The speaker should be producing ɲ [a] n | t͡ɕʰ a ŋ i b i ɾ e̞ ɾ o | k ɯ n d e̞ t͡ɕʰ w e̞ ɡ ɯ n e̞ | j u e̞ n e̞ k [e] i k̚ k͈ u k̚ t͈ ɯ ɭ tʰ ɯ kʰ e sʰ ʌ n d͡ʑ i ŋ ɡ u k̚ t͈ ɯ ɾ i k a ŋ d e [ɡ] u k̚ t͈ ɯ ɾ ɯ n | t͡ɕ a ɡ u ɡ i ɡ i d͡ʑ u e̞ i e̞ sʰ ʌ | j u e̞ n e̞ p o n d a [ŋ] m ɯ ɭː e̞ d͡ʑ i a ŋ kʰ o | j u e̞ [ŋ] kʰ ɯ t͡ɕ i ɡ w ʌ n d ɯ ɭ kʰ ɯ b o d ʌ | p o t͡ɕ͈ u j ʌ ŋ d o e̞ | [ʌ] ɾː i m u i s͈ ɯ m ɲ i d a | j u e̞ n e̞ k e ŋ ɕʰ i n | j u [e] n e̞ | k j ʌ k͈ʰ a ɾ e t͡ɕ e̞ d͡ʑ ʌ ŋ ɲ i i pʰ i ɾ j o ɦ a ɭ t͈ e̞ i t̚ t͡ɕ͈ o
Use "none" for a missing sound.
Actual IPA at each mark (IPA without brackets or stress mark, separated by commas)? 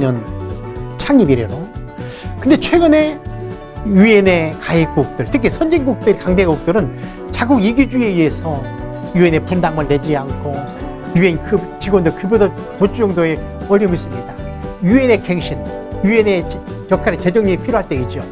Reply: ʌ, a, ɡ, ŋ, n, ʌ, e